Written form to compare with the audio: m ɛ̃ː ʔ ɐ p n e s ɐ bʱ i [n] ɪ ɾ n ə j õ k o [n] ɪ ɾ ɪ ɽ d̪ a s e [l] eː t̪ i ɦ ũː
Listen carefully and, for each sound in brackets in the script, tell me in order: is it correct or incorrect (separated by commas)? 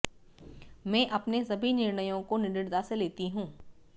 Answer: correct, correct, correct